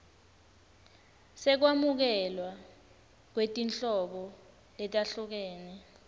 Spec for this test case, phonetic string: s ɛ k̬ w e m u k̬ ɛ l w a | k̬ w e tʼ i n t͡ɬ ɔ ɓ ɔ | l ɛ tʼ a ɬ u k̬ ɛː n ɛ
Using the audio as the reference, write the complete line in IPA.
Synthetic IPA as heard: s ɛ k̬ w a m u k̬ ɛ l w a | k̬ w e tʼ i n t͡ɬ ɔ ɓ ɔ | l ɛ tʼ a ɬ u k̬ ɛː n ɛ